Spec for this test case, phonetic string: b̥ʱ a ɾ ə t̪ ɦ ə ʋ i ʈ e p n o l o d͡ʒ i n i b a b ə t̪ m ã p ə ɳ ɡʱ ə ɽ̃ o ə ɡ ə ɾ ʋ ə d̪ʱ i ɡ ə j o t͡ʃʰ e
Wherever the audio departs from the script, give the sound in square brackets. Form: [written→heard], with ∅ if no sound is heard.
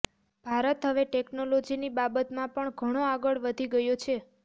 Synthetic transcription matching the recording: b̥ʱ a ɾ ə t̪ ɦ ə ʋ [i→e] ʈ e [p→k] n o l o d͡ʒ i n i b a b ə t̪ m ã p ə ɳ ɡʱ ə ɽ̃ o [ə→a] ɡ ə [ɾ→ɭ] ʋ ə d̪ʱ i ɡ ə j o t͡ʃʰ e